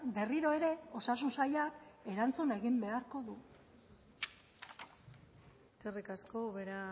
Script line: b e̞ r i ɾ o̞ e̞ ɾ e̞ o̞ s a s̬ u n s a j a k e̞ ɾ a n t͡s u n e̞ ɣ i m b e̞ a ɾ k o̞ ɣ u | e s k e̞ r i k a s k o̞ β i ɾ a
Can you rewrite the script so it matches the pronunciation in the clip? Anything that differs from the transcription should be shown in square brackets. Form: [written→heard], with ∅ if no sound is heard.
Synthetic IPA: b e̞ r i ɾ o̞ e̞ ɾ e̞ o̞ s a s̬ u n s a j a k e̞ ɾ a n t͡s u n e̞ ɣ i m b e̞ a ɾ k o̞ [ɣ→ð] u | e s k e̞ r i k a s k o̞ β [i→e] ɾ a